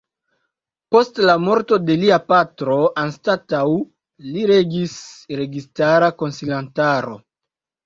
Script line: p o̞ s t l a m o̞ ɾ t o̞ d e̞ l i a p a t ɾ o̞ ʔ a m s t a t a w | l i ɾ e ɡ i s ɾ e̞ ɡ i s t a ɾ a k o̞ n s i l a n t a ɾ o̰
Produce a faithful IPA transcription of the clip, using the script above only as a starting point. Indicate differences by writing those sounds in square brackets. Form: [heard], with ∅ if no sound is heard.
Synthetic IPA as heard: p o̞ s t l a m o̞ ɾ t o̞ d e̞ l i a p a t ɾ o̞ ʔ a [n] s t a t a w | l i ɾ e ɡ i s ɾ e̞ ɡ i s t a ɾ a k o̞ n s i l a n t a ɾ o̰